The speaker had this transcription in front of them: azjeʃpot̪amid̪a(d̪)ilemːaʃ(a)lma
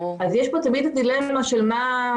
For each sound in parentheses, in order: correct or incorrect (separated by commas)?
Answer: correct, incorrect